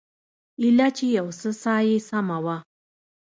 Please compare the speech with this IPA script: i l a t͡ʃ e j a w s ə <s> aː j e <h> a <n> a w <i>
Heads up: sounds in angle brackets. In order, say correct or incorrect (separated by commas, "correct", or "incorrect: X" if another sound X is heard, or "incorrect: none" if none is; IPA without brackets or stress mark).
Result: correct, incorrect: s, incorrect: m, incorrect: a